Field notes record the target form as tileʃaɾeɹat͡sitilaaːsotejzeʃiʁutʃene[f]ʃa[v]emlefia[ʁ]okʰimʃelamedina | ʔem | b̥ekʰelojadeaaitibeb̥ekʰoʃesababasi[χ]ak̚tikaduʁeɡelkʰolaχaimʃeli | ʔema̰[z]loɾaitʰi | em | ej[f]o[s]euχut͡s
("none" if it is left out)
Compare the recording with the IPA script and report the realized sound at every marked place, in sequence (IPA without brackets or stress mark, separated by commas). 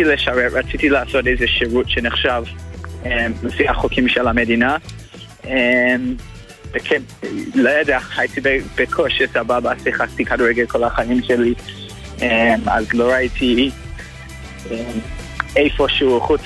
χ, v, χ, χ, z, f, ʃ